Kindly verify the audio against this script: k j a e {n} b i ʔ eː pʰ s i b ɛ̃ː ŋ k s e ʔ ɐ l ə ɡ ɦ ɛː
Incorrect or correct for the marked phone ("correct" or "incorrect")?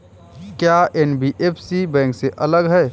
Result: correct